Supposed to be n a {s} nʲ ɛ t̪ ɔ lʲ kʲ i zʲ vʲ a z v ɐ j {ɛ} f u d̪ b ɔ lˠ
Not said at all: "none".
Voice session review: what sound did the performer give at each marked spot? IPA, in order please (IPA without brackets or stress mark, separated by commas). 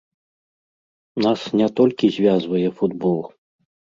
s, ɛ